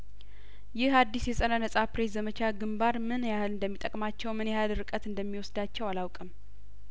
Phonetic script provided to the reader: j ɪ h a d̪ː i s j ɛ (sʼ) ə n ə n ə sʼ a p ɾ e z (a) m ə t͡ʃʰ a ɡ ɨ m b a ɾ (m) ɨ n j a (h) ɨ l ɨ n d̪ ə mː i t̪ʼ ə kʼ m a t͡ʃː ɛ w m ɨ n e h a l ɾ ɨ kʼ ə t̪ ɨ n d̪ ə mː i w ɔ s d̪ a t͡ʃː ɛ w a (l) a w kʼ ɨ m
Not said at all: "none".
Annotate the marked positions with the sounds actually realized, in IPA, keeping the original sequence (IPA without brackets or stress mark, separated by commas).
sʼ, ə, m, h, l